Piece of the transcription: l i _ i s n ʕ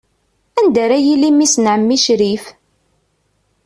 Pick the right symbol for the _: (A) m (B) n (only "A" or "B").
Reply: A